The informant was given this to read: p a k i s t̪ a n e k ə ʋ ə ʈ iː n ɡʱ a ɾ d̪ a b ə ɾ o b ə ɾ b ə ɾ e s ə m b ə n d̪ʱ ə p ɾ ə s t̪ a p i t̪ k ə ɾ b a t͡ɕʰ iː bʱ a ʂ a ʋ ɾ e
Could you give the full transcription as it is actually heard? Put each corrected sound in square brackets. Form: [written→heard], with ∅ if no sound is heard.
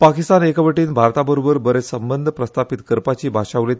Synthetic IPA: p a k i s t̪ a n e k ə ʋ ə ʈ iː n [ɡʱ→bʱ] a ɾ [d̪→t̪] a b ə ɾ o b ə ɾ b ə ɾ e s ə m b ə n d̪ʱ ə p ɾ ə s t̪ a p i t̪ k ə ɾ [b→p] a [t͡ɕʰ→t͡ɕ] iː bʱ a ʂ a ʋ [ɾ→l] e